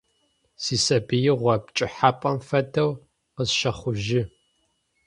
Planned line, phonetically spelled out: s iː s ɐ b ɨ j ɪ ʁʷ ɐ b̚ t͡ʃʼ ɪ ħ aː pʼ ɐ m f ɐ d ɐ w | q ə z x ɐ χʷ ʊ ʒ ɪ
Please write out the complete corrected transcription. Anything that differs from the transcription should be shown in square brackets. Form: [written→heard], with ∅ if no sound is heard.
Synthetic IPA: s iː s ɐ b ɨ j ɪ ʁʷ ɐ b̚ t͡ʃʼ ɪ ħ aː pʼ ɐ m f ɐ d ɐ w | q ə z [x→ʃ] ɐ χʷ ʊ ʒ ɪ